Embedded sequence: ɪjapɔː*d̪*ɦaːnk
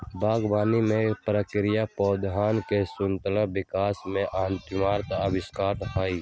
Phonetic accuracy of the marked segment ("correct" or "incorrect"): correct